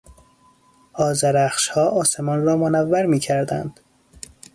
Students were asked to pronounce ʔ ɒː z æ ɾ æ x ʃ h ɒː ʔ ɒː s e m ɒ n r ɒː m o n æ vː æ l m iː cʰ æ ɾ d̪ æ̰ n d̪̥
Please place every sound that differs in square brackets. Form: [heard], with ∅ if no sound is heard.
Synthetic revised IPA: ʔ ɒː z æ ɾ æ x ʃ h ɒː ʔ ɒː s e m ɒ n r ɒː m o n æ vː æ [ɾ] m iː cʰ æ ɾ d̪ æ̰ n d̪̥